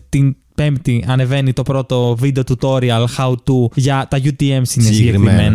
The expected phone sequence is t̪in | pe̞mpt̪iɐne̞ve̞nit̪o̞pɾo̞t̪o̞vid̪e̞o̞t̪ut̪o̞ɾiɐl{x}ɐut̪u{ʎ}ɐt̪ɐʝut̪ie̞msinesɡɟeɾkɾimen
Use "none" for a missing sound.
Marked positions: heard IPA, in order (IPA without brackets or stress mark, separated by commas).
x, ʝ